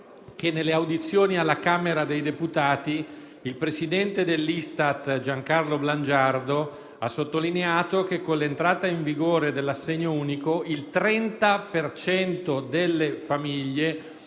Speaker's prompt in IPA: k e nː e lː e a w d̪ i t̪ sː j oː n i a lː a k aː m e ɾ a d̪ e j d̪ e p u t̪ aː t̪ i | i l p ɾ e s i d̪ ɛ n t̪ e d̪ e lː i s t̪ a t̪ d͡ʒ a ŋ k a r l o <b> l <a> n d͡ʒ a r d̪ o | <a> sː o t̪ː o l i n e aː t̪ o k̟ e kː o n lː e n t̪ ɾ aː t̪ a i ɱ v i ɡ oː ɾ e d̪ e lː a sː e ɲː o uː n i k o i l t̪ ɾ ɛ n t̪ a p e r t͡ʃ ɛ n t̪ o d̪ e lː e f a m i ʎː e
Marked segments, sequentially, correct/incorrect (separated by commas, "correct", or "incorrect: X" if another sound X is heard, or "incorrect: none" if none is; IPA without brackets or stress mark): correct, correct, correct